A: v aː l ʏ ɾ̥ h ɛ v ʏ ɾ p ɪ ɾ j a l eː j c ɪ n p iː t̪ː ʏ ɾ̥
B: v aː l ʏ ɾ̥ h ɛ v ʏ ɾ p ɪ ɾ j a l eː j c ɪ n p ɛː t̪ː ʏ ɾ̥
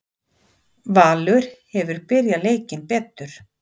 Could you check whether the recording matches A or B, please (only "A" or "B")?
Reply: B